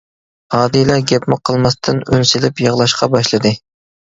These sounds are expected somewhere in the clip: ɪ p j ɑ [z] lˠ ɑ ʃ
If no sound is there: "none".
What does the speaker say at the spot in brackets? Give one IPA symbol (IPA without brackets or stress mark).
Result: ʁ